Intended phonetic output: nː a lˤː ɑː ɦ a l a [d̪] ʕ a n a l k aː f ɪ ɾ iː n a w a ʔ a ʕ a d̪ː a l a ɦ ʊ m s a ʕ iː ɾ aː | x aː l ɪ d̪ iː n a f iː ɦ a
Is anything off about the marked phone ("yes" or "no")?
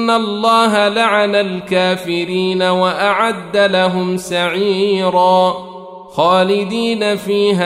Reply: yes